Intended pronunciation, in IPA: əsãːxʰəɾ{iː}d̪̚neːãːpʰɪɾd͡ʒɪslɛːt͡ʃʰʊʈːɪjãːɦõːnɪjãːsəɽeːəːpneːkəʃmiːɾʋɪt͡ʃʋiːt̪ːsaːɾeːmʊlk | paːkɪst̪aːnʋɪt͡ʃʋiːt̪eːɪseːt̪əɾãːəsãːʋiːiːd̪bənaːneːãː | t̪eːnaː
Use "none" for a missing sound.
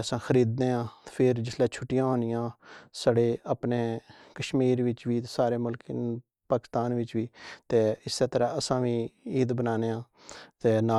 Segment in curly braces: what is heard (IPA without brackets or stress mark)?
iː